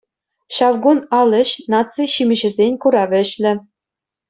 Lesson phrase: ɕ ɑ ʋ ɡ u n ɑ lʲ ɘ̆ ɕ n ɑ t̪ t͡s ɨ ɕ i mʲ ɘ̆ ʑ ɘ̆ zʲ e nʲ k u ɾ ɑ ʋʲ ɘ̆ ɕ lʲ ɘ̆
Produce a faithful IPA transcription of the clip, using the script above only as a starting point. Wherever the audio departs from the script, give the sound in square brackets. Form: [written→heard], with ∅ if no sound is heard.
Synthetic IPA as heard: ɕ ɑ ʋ ɡ u n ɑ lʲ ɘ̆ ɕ n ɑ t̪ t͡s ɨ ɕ i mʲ ɘ̆ ʑ ɘ̆ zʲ e nʲ k u ɾ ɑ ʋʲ ɘ̆ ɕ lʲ ɘ̆